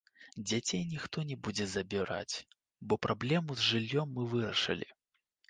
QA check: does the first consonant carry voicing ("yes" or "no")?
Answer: yes